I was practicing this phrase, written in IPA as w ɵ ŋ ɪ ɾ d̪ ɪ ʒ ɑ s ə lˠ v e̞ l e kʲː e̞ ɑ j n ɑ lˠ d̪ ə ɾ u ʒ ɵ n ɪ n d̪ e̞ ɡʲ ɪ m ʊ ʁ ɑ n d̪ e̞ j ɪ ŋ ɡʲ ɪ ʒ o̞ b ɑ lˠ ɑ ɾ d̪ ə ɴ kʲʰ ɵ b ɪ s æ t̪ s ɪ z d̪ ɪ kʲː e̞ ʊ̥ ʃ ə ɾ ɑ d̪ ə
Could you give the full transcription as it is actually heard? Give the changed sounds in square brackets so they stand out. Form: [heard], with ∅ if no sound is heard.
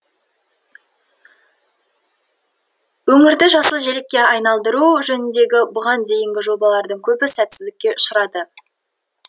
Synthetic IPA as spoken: w ɵ ŋ ɪ ɾ d̪ ɪ ʒ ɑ s ə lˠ [ʒ] e̞ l e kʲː e̞ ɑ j n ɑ lˠ d̪ ə ɾ u ʒ ɵ n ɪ n d̪ e̞ ɡʲ ɪ [b] ʊ ʁ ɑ n d̪ e̞ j ɪ ŋ ɡʲ ɪ ʒ o̞ b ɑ lˠ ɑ ɾ d̪ ə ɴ kʲʰ ɵ b ɪ s æ t̪ s ɪ z d̪ ɪ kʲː e̞ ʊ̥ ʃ ə ɾ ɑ d̪ ə